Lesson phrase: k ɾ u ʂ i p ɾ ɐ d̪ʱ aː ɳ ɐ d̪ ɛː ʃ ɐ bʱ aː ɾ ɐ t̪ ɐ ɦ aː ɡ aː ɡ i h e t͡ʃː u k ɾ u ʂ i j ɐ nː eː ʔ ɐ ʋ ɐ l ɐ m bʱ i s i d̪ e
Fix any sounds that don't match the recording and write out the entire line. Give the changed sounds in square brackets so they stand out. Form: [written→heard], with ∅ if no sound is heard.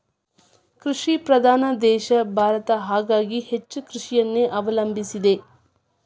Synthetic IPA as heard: k ɾ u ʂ i p ɾ ɐ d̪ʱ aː [ɳ→n] ɐ d̪ ɛː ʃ ɐ bʱ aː ɾ ɐ t̪ ɐ ɦ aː ɡ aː ɡ i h e t͡ʃː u k ɾ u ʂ i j ɐ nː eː ʔ ɐ ʋ ɐ l ɐ m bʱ i s i d̪ e